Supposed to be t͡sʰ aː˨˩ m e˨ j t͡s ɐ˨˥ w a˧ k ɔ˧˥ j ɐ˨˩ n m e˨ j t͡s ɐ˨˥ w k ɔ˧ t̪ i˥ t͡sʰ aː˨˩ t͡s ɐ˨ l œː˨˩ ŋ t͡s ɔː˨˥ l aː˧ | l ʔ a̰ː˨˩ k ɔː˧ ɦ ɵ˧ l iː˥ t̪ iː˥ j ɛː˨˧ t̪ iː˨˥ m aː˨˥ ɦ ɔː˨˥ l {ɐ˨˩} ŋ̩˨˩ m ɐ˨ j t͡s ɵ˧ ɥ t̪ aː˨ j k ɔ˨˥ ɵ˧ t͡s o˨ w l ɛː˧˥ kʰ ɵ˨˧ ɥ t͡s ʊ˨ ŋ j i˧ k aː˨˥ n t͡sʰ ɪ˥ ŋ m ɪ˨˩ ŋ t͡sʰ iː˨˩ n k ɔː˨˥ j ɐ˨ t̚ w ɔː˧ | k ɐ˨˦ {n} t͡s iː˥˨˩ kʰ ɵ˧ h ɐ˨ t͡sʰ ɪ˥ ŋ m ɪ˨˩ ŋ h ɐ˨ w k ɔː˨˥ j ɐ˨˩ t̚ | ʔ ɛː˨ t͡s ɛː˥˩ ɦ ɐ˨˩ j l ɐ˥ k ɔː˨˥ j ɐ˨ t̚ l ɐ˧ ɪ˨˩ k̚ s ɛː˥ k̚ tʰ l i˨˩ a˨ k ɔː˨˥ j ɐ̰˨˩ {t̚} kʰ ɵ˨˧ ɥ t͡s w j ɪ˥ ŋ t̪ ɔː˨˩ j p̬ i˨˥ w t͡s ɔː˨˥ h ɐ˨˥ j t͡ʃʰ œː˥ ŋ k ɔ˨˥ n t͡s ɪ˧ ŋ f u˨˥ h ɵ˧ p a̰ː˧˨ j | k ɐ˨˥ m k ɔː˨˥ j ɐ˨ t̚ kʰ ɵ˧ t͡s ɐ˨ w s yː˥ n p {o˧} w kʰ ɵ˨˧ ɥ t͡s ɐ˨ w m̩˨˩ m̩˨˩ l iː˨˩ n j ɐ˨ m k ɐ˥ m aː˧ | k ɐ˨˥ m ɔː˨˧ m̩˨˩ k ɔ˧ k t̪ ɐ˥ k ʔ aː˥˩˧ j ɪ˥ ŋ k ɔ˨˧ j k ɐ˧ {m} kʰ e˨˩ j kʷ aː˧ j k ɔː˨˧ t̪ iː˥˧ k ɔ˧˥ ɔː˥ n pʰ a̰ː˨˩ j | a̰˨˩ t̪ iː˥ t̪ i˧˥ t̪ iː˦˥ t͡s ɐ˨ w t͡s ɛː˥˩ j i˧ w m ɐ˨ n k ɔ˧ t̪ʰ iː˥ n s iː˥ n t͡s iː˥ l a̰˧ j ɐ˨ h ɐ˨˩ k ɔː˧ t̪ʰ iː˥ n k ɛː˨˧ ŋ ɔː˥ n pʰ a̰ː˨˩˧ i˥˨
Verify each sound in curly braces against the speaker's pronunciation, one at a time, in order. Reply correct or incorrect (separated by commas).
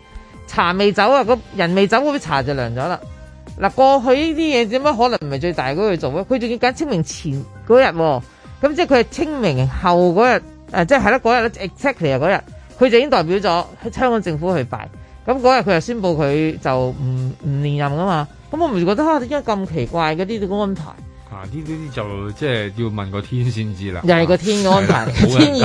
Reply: correct, incorrect, correct, correct, correct